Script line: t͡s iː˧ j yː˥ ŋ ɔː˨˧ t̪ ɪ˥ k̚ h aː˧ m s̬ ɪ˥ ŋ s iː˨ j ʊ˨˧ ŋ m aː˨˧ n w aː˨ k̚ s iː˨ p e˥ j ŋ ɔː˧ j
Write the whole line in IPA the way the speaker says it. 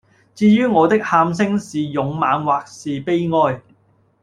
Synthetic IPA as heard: t͡s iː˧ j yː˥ ŋ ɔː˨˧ t̪ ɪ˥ k̚ h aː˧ m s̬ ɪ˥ ŋ s iː˨ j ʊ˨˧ ŋ m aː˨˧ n w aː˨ k̚ s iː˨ p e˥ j ŋ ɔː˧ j